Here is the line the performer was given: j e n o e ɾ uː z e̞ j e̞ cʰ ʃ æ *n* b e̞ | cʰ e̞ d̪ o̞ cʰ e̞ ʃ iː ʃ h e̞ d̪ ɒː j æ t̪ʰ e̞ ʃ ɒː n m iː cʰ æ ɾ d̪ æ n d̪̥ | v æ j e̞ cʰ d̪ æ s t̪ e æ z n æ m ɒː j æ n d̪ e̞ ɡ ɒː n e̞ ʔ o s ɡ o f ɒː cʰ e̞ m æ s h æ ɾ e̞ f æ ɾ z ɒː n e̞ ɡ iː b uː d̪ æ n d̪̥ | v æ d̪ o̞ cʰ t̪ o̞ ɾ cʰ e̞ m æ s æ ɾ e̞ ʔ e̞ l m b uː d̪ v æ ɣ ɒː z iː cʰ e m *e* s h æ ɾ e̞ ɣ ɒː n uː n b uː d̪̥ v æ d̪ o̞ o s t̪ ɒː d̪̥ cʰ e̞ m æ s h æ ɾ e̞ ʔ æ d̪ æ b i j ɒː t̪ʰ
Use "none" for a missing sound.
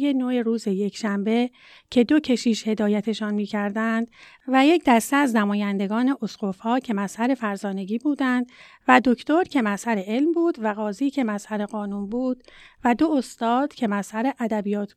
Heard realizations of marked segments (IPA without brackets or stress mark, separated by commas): m, æ